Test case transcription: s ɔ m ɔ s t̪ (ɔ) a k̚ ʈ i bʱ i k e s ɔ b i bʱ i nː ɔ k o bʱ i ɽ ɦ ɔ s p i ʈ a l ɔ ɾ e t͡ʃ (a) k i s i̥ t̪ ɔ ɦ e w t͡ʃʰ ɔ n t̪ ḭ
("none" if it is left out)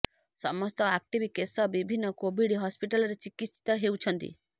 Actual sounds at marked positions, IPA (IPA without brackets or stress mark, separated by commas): ɔ, i